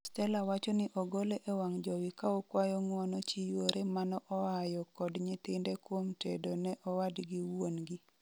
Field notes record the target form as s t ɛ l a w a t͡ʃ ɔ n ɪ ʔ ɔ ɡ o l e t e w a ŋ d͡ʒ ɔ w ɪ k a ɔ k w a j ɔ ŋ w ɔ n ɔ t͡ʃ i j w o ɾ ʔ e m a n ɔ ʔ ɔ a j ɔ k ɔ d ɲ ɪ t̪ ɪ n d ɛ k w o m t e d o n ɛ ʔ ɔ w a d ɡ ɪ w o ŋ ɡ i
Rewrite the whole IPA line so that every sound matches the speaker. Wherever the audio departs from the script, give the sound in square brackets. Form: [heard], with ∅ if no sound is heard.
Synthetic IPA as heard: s t ɛ l a w a t͡ʃ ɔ n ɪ ʔ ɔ ɡ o l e [ʔ] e w a ŋ d͡ʒ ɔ w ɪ k a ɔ k w a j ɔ ŋ w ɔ n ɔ t͡ʃ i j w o ɾ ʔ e m a n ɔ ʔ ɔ a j ɔ k ɔ d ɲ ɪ t̪ ɪ n d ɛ k w o m t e d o n ɛ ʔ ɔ w a d ɡ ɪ w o [n] ɡ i